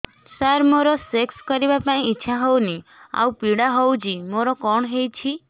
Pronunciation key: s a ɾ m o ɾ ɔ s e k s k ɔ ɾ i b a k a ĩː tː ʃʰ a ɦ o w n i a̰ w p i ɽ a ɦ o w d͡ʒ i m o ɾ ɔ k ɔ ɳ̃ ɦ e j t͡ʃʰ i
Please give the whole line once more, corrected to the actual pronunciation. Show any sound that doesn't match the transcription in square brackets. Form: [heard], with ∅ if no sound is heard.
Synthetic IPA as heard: s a ɾ m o ɾ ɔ s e k s k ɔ ɾ i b a [p] a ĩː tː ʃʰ a ɦ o w n i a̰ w p i ɽ a ɦ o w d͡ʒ i m o ɾ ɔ k ɔ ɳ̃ ɦ e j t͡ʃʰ i

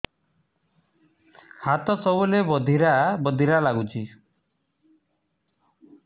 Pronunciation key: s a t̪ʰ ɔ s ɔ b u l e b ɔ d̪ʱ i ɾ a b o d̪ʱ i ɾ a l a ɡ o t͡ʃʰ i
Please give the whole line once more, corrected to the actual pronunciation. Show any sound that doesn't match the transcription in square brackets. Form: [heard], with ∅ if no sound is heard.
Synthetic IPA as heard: [h] a [t̪] ɔ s ɔ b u l e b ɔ d̪ʱ i ɾ a b [ɔ] d̪ʱ i ɾ a l a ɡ [u] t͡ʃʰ i

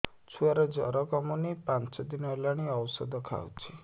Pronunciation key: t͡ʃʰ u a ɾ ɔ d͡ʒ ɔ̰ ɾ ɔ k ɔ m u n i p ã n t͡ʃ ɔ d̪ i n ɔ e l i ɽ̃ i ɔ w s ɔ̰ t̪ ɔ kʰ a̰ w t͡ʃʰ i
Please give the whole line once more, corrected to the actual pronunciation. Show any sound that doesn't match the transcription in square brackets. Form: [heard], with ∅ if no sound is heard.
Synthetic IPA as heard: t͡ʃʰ u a ɾ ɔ d͡ʒ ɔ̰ ɾ ɔ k ɔ m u n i p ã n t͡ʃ ɔ d̪ i n ɔ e l [a] ɽ̃ i ɔ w s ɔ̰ [d̪] ɔ kʰ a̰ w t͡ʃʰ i

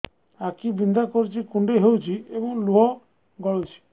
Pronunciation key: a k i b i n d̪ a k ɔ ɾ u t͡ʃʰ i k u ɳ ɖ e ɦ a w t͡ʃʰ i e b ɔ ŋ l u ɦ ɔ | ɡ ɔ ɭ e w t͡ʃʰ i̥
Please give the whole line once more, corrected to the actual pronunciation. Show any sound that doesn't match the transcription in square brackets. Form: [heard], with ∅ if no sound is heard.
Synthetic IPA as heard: a k i b i n d̪ a k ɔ ɾ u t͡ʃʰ i k u ɳ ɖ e ɦ [e] w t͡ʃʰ i e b ɔ ŋ l u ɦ ɔ | ɡ ɔ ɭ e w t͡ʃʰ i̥

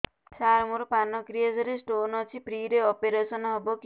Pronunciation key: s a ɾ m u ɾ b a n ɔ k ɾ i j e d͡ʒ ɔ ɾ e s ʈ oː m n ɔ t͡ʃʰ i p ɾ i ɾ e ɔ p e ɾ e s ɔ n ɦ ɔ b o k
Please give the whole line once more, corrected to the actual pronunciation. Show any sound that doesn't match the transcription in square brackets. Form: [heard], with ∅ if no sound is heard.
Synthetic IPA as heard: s a ɾ m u ɾ [p] a n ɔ k ɾ i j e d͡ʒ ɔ ɾ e s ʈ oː [∅] n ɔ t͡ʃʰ i p ɾ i ɾ e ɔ p e ɾ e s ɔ n ɦ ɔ b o k

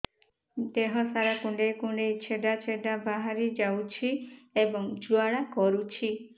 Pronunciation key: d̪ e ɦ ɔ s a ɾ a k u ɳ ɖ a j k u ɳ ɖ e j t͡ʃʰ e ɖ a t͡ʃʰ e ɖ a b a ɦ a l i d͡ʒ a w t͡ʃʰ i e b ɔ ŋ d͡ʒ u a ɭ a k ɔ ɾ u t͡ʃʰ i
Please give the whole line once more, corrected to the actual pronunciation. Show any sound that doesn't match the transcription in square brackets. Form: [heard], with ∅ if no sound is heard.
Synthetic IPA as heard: d̪ e ɦ ɔ s a ɾ a k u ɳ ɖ [e] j k u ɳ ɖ e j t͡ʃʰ e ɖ a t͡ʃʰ e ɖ a b a ɦ a [ɾ] i d͡ʒ a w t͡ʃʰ i e b ɔ ŋ d͡ʒ u a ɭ a k ɔ ɾ u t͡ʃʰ i

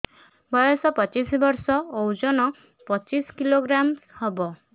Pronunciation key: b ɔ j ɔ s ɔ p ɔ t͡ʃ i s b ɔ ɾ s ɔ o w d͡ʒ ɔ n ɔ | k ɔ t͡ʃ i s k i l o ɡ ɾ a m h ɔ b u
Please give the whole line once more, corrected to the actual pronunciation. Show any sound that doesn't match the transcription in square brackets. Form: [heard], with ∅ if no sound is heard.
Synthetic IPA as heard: b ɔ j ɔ s ɔ p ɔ t͡ʃ i s b ɔ ɾ s ɔ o w d͡ʒ ɔ n ɔ | [p] ɔ t͡ʃ i s k i l o ɡ ɾ a m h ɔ b [ɔ]

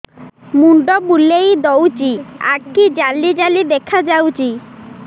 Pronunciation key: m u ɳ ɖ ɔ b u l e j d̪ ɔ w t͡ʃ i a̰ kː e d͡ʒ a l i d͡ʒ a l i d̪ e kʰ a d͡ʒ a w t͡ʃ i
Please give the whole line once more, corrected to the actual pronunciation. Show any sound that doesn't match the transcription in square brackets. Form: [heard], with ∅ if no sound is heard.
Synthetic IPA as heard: m u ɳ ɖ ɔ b u l e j d̪ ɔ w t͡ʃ i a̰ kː [i] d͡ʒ a l i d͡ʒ a l i d̪ e kʰ a d͡ʒ a w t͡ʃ i

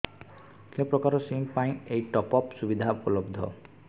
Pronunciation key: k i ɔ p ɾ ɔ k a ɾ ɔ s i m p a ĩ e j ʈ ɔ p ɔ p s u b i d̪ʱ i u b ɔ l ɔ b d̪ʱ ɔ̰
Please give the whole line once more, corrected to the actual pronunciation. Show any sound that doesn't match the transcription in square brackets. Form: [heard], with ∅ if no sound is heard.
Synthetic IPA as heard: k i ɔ p ɾ ɔ k a ɾ ɔ s i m p a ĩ e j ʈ ɔ p ɔ p s u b i d̪ʱ [a] u [p] ɔ l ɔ b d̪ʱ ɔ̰

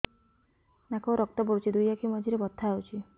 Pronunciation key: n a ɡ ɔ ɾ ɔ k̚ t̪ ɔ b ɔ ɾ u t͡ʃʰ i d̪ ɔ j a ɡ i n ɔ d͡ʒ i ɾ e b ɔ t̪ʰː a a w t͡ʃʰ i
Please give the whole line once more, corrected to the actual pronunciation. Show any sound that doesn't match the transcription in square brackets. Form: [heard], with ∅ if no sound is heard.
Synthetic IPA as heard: n a [k] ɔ ɾ ɔ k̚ t̪ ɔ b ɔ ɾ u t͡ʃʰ i d̪ [u] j a [k] i [m] ɔ d͡ʒ i ɾ e b ɔ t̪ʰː a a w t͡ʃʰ i

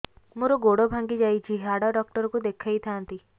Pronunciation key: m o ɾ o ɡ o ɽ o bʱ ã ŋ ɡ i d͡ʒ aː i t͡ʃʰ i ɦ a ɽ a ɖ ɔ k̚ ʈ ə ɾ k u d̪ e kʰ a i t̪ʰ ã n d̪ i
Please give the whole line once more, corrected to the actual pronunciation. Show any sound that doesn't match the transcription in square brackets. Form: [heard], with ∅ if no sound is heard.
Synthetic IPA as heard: m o ɾ o ɡ o ɽ o bʱ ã ŋ ɡ i d͡ʒ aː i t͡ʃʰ i ɦ a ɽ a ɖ ɔ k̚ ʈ ə ɾ k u d̪ e kʰ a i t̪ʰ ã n [t̪] i

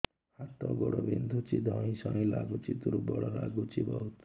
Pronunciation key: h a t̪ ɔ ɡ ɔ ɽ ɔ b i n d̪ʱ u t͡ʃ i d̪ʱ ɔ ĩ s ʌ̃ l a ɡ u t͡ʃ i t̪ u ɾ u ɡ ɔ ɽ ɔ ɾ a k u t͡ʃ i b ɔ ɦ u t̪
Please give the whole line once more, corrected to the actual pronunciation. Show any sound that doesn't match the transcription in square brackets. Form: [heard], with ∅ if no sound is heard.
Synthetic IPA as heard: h a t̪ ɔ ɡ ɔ ɽ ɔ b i n d̪ʱ u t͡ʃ i d̪ʱ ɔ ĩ s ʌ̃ l a ɡ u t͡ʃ i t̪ u ɾ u [b] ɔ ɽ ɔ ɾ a [ɡ] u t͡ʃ i b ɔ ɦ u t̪

